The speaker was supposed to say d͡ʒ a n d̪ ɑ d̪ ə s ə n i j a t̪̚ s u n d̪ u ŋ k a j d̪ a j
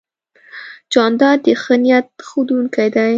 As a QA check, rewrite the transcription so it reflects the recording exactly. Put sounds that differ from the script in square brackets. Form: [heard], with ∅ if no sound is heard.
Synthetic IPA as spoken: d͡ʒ [ɑ] n d̪ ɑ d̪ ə [x] ə n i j a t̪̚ [x] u [∅] d̪ u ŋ k a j d̪ a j